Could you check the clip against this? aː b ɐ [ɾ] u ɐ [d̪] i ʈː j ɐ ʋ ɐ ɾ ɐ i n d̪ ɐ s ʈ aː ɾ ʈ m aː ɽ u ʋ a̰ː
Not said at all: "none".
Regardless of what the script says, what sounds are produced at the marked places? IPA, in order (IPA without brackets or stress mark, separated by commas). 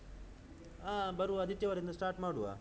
ɾ, d̪